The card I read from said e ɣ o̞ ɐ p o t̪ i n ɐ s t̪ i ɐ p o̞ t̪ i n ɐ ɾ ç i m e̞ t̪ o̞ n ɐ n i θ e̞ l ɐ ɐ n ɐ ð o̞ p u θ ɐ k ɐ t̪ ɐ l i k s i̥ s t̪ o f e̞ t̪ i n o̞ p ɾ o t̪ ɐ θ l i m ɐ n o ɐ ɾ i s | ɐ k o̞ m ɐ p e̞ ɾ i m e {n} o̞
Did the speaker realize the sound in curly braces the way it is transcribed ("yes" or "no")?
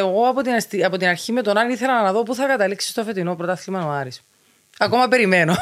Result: yes